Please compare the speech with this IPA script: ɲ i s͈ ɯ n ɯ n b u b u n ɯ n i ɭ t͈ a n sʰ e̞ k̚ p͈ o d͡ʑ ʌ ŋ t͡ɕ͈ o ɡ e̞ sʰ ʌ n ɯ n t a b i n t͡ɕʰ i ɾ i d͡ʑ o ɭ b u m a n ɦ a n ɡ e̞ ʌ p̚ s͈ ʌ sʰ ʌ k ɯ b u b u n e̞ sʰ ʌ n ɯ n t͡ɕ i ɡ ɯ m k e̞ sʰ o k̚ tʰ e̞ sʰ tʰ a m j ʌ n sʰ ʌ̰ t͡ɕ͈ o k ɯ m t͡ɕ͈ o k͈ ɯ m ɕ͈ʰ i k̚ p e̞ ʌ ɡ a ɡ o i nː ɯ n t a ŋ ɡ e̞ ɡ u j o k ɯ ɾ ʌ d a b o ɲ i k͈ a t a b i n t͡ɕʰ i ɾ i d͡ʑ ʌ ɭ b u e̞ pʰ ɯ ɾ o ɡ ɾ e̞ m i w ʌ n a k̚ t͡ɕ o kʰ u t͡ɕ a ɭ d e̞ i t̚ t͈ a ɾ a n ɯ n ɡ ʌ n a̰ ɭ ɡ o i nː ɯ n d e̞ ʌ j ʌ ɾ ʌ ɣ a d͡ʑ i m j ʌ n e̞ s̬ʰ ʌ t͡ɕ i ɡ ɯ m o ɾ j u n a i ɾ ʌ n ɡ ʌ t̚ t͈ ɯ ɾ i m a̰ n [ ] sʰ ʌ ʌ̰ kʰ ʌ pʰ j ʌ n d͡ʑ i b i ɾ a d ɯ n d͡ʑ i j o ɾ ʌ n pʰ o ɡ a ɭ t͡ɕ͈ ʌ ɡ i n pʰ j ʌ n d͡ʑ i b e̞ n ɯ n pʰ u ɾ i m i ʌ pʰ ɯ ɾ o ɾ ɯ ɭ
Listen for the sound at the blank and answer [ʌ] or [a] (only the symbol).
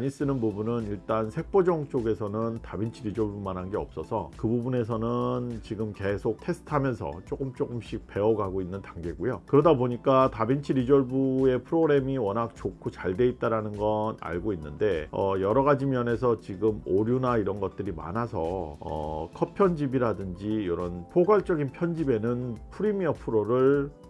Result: a